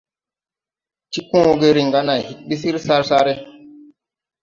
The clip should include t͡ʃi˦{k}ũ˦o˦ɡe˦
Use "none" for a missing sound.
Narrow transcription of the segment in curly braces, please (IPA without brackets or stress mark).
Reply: k